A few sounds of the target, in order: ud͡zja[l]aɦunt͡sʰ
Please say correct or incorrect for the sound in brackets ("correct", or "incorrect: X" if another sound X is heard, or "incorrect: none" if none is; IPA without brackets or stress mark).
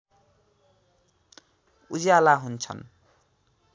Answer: correct